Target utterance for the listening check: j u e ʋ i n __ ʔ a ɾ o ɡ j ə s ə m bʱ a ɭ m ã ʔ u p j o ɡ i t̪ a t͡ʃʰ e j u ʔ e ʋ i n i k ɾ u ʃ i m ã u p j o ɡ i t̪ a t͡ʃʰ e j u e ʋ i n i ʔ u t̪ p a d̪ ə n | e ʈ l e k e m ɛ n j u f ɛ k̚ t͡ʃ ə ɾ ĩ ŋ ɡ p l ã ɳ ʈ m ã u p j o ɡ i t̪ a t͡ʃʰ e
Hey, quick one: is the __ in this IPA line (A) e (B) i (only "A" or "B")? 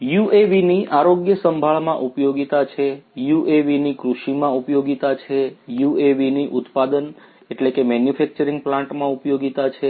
B